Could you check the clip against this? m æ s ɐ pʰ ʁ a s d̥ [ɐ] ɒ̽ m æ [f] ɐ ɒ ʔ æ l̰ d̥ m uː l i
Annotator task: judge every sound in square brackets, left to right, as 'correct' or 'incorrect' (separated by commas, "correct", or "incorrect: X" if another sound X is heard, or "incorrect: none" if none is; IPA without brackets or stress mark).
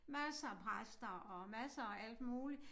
correct, incorrect: s